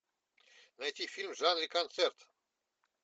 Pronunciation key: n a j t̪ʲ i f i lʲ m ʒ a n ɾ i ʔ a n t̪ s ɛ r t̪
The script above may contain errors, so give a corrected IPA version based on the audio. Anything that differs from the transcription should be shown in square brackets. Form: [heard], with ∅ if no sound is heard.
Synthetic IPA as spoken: n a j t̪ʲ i f i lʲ m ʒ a n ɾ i [k] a n t̪ s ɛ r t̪

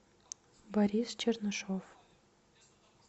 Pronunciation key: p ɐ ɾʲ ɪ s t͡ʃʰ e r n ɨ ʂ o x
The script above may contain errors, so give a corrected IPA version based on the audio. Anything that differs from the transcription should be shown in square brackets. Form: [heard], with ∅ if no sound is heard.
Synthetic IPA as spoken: [b] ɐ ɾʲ [i] s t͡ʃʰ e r n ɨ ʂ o [f]

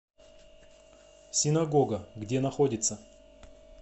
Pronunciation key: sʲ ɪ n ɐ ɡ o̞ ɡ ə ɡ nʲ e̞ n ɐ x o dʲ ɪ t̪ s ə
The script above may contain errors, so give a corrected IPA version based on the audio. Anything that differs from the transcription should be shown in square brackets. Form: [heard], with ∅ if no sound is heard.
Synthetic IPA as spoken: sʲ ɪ n ɐ ɡ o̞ ɡ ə ɡ [dʲ] e̞ n ɐ x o dʲ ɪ t̪ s ə

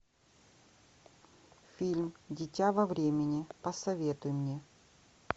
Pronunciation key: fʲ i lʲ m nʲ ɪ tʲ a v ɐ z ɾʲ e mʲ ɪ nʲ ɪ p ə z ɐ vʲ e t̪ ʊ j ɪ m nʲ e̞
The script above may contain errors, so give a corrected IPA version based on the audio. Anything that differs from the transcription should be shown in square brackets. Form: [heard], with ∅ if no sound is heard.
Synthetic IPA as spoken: fʲ i lʲ m [dʲ] ɪ tʲ a v ɐ [v] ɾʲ e mʲ ɪ nʲ ɪ p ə [s] ɐ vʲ e t̪ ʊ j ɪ m nʲ e̞

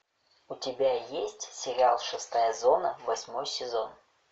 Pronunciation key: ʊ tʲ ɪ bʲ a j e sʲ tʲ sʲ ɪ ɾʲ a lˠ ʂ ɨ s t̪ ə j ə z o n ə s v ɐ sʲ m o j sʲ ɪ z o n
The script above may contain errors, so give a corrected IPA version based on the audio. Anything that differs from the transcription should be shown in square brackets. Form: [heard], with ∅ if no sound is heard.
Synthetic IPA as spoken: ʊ tʲ ɪ bʲ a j e sʲ tʲ sʲ ɪ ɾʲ a lˠ ʂ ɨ s t̪ [a] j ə z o n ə [∅] v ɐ sʲ m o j sʲ ɪ z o n

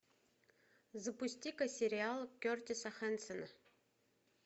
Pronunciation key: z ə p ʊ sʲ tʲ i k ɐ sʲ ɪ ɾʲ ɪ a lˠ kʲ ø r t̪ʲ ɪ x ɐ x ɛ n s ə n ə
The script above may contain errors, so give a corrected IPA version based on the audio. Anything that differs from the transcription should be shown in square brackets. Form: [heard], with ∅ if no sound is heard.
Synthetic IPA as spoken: z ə p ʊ sʲ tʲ i k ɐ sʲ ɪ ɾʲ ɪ a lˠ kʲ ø r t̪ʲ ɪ [s] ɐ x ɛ n s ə n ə

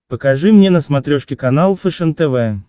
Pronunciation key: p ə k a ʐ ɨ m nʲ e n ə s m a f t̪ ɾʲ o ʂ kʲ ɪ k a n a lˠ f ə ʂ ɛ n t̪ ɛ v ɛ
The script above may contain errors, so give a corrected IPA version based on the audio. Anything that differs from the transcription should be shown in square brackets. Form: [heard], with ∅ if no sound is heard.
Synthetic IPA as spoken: p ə k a ʐ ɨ m nʲ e n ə s m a [∅] t̪ ɾʲ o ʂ kʲ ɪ k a n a lˠ f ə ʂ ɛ n t̪ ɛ v ɛ

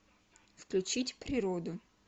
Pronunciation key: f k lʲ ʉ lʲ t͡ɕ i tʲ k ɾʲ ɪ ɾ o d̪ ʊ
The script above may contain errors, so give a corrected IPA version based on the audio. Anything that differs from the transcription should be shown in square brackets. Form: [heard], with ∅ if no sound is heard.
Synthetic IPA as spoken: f k lʲ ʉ [∅] t͡ɕ i tʲ [p] ɾʲ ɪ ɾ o d̪ ʊ

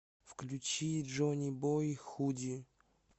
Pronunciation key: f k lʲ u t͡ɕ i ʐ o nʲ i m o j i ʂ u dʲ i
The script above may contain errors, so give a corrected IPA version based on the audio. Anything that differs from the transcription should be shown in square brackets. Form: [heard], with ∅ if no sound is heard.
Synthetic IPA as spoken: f k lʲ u t͡ɕ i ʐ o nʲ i [b] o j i [x] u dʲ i

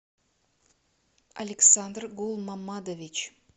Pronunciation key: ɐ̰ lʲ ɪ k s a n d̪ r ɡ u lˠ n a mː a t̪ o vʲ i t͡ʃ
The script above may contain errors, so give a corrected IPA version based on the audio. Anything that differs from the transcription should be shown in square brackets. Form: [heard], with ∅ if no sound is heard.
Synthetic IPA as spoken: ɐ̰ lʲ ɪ k s a n d̪ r ɡ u lˠ [m] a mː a [d̪] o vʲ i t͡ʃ

